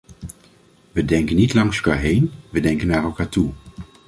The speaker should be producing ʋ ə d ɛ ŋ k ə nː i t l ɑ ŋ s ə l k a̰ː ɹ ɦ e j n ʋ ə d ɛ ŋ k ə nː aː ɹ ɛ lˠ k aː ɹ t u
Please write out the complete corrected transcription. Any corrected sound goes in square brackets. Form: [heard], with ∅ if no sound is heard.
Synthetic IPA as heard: ʋ ə d ɛ ŋ k ə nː i t l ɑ ŋ s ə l k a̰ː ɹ ɦ e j n ʋ ə d ɛ ŋ k ə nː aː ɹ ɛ lˠ k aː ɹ t u